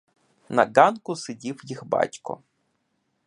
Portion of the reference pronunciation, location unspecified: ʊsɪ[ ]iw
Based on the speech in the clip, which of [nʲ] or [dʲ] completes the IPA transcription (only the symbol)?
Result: dʲ